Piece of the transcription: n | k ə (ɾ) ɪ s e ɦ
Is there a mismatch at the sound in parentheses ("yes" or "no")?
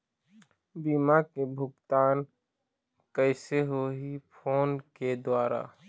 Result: yes